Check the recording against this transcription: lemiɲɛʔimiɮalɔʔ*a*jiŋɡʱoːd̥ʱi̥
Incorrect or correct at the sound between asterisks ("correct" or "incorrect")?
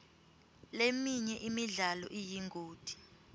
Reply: incorrect